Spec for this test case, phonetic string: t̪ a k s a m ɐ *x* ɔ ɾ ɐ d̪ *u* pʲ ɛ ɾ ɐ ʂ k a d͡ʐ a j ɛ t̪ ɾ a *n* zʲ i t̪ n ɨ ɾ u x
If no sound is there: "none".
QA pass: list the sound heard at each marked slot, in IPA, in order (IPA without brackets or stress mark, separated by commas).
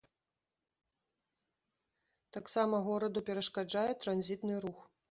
ɣ, u, n